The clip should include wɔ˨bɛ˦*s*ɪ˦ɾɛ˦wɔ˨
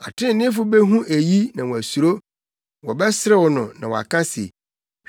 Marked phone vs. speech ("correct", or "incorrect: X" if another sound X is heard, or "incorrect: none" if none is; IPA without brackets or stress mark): correct